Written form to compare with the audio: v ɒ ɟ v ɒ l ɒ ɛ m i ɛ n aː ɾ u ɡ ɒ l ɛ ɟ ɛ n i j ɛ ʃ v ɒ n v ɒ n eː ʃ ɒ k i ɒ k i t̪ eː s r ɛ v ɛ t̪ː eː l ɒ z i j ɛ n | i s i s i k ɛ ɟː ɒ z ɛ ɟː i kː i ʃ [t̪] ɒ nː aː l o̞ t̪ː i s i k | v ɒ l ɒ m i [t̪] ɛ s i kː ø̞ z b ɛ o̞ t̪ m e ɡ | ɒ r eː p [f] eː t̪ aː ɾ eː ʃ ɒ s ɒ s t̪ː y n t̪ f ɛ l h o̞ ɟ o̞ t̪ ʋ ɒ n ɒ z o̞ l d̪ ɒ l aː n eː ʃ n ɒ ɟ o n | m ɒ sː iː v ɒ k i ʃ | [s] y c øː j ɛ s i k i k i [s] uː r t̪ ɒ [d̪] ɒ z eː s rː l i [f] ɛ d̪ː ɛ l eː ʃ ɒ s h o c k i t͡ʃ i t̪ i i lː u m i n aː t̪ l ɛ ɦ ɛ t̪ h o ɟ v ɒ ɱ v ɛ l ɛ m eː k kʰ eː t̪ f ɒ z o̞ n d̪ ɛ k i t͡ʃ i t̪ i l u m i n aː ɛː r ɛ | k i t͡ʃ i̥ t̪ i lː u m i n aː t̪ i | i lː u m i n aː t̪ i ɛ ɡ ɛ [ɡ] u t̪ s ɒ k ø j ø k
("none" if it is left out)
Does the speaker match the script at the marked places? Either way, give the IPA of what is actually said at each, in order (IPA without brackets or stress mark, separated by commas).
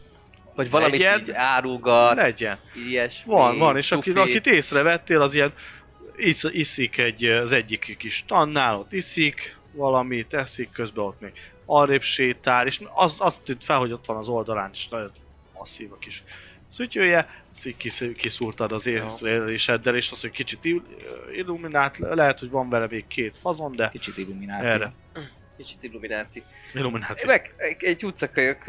t̪, t̪, ʃ, s, s, d̪, ʃ, ɟ